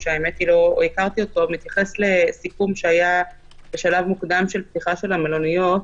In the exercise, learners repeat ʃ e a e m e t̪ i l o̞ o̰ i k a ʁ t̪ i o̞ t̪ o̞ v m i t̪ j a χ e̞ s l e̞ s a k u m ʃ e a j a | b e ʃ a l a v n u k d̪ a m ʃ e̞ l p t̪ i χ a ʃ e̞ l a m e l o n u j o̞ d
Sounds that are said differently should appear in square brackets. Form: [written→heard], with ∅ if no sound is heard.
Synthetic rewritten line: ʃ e a e m e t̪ i l o̞ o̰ i k a ʁ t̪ i o̞ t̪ o̞ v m i t̪ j a χ e̞ s l e̞ s [a→i] k u m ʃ e a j a | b e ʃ a l a v [n→m] u k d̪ a m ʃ e̞ l p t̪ i χ a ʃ e̞ l a m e l o n u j o̞ [d→t]